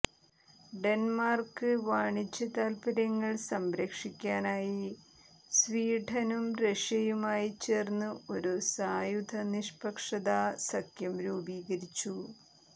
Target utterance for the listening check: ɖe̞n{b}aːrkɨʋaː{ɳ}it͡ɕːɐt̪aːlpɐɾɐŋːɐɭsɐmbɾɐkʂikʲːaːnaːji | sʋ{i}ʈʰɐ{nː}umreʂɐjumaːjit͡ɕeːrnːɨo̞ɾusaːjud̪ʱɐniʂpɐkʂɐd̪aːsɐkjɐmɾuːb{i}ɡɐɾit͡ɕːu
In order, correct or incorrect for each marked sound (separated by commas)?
incorrect, correct, incorrect, incorrect, incorrect